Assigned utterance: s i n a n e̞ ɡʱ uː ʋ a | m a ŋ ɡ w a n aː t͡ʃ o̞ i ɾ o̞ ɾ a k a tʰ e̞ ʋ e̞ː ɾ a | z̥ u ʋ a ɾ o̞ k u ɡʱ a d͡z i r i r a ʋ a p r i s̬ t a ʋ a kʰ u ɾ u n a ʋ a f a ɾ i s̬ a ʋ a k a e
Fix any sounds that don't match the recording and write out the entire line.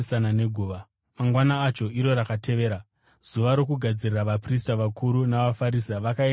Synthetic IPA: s a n a n e̞ ɡʱ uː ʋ a | m a ŋ ɡ w a n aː t͡ʃ o̞ i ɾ o̞ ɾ a k a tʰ e̞ ʋ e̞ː ɾ a | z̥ u ʋ a ɾ o̞ k u ɡʱ a d͡z i r i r a ʋ a p r i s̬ t a ʋ a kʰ u ɾ u n a ʋ a f a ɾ i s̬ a ʋ a k a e